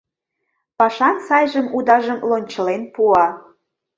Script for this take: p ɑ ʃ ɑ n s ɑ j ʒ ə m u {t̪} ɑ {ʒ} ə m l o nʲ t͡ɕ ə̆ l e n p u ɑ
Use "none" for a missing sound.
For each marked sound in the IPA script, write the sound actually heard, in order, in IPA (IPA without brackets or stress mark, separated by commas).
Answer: d̪, ʒ